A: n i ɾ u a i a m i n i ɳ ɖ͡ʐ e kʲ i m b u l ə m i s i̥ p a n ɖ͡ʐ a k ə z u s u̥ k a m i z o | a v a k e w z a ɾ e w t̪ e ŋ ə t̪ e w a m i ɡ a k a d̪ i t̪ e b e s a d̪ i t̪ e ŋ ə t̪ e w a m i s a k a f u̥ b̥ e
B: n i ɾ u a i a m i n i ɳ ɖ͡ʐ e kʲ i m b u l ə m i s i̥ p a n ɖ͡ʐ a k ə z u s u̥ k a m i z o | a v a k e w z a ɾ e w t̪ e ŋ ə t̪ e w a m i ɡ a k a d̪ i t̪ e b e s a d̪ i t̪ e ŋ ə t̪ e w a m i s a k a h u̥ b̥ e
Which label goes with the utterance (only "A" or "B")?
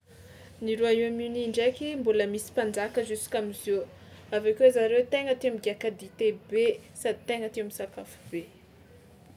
A